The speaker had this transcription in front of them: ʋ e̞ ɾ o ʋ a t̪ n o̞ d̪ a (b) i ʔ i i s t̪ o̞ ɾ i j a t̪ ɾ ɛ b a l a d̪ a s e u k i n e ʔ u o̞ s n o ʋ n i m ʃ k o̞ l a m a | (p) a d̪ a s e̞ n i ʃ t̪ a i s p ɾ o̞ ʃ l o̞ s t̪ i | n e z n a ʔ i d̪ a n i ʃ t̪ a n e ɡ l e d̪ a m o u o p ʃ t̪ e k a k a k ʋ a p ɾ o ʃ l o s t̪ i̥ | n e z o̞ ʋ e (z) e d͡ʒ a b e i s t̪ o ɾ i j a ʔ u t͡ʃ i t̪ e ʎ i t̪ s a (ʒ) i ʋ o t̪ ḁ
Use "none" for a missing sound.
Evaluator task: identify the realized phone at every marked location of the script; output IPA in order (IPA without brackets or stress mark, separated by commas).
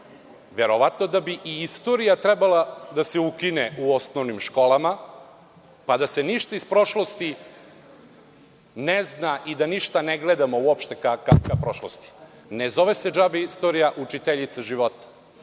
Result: b, p, s, ʒ